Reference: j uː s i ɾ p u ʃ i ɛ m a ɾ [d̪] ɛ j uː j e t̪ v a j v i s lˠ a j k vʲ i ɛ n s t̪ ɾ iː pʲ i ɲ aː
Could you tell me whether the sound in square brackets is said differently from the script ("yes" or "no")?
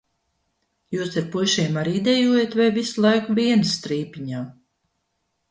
no